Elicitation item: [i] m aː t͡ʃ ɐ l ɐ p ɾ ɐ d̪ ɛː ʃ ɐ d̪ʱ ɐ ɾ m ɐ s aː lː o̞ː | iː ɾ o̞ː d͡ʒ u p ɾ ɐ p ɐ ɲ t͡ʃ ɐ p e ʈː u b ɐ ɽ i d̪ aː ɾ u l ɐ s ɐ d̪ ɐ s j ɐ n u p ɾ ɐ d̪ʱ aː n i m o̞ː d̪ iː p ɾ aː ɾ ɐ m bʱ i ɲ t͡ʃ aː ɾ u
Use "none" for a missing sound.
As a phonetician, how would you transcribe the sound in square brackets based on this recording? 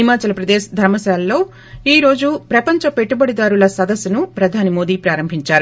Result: i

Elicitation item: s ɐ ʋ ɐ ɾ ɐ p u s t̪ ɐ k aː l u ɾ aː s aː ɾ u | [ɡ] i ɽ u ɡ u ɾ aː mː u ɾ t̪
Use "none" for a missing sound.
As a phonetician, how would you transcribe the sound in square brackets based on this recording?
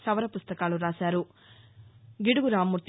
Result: ɡ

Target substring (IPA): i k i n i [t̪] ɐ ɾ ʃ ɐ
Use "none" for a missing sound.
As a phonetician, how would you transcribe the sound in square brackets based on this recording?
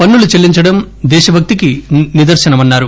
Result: d̪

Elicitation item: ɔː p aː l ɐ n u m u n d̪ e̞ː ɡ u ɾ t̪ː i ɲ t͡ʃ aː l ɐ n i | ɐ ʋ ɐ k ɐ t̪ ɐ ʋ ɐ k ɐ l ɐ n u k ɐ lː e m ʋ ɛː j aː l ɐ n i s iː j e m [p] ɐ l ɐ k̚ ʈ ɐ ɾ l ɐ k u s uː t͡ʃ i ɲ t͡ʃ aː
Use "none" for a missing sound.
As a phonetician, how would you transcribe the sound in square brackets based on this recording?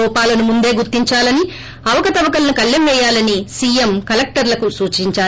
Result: k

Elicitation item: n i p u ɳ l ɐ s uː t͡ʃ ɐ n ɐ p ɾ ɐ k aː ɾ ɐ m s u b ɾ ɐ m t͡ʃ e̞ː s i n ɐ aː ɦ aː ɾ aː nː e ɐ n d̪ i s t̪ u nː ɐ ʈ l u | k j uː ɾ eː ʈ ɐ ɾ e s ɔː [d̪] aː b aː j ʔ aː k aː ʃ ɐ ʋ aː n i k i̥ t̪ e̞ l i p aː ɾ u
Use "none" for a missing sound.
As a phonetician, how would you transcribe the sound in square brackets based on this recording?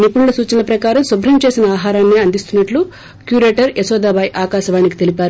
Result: d̪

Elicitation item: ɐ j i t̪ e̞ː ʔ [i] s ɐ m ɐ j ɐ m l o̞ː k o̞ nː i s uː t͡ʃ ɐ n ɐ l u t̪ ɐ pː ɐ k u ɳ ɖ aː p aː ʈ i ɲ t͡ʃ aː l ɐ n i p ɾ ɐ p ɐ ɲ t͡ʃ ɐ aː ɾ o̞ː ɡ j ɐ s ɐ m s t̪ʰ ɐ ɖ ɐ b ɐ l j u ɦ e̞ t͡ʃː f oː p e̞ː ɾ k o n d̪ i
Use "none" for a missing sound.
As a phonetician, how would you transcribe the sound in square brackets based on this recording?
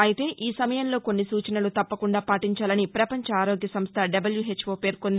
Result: iː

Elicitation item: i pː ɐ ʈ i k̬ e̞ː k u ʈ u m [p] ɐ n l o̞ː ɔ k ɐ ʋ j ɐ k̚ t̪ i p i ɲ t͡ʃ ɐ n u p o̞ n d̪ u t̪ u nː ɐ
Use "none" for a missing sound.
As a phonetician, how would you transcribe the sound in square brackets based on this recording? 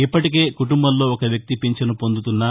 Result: b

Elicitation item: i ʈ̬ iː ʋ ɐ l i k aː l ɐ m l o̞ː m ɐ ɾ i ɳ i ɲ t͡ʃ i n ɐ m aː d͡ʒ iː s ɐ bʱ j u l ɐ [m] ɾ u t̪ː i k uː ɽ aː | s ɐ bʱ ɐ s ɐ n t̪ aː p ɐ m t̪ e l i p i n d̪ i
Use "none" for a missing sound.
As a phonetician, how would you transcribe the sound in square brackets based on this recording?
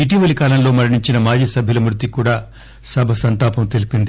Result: m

